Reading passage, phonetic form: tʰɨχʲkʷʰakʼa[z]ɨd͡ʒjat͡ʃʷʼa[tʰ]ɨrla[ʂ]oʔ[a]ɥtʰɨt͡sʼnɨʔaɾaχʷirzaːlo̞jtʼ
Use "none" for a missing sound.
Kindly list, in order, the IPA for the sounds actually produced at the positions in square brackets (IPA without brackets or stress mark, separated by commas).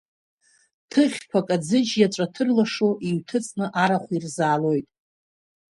d͡z, tʰ, ʂ, i